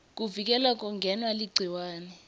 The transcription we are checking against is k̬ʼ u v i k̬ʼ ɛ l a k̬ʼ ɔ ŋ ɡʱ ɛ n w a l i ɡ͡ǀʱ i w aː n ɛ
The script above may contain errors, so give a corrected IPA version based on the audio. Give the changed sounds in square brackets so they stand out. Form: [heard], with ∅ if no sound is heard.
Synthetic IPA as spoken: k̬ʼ u v i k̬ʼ ɛ l a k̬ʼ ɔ ŋ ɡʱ ɛ n w a l i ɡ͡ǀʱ i w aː n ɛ